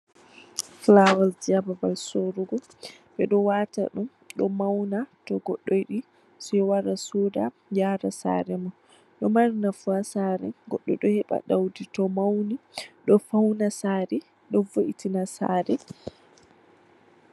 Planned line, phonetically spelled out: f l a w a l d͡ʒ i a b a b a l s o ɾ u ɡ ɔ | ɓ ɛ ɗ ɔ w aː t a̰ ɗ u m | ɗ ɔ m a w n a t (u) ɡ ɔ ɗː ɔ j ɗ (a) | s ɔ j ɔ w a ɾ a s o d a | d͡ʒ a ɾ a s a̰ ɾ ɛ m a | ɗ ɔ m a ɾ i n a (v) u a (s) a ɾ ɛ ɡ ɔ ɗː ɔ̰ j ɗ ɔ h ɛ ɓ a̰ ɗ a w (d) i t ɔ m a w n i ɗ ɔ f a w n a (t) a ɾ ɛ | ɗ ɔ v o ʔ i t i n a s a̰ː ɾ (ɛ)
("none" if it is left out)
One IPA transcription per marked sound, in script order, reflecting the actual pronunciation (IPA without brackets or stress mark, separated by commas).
ɔ, i, f, s, d, s, ɛ